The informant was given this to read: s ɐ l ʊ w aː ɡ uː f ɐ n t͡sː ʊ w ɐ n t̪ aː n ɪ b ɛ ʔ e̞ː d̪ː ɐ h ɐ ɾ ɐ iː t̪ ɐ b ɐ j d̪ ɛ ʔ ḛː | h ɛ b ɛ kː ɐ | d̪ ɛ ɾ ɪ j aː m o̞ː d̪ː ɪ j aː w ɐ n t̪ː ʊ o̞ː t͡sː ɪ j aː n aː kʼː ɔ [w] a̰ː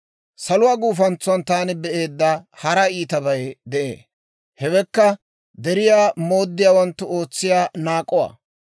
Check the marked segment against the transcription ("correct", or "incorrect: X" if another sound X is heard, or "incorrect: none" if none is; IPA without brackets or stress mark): correct